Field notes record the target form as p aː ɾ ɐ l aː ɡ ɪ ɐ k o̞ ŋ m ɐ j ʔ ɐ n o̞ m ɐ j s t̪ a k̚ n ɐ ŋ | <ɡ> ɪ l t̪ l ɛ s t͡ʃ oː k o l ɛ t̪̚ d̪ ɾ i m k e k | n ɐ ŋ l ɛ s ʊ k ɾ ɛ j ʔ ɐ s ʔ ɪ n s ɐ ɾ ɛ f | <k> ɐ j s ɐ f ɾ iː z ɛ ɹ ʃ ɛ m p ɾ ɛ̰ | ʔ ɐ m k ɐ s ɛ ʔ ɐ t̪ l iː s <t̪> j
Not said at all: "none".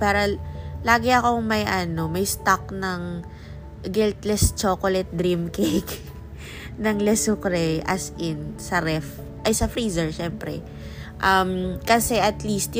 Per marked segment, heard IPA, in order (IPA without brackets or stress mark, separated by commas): ɡ, ʔ, t̪